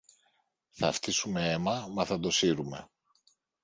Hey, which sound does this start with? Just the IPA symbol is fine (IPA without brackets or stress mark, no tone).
θ